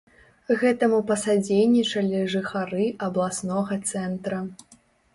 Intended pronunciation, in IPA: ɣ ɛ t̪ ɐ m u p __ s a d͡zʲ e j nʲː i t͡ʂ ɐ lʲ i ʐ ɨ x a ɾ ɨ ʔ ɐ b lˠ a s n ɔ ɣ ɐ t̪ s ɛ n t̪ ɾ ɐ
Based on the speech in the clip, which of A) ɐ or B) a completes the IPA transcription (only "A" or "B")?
A